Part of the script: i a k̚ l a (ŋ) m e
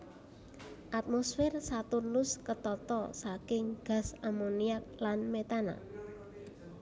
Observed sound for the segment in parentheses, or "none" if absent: n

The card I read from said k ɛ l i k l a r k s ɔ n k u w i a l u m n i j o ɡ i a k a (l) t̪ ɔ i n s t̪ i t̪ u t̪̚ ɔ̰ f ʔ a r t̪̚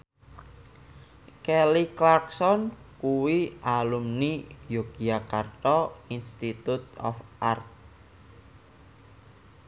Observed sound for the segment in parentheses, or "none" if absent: r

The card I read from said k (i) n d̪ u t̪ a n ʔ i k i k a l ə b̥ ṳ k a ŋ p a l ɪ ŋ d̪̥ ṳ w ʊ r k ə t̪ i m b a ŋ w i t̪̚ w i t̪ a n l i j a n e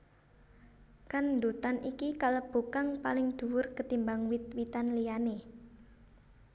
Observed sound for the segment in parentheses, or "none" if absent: a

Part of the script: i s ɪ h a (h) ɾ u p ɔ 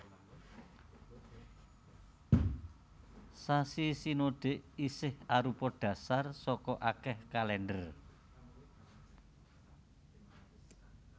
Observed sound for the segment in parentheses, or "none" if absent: none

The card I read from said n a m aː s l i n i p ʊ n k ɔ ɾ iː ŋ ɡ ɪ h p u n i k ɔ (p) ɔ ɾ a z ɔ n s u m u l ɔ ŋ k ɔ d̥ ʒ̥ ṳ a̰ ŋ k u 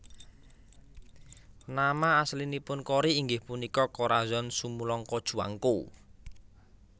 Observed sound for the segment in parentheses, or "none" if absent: k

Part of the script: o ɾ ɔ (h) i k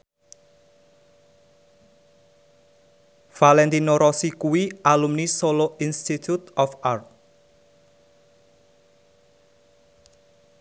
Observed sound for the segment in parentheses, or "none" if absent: s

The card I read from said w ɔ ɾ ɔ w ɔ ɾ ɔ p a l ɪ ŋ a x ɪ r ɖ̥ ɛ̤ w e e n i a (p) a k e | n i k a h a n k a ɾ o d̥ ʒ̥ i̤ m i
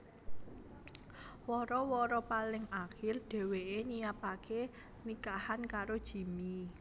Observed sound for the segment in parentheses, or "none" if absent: p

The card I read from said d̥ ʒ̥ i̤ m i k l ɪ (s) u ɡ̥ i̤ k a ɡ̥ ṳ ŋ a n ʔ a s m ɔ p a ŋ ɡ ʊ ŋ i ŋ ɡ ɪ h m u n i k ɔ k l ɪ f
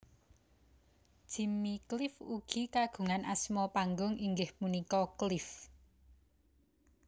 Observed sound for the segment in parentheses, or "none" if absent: f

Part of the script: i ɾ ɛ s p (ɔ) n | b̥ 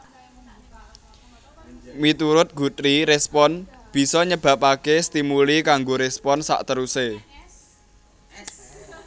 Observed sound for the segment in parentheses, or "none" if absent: ɔ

